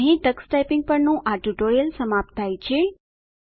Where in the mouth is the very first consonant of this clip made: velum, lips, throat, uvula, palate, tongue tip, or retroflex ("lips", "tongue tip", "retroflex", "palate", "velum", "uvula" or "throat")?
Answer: throat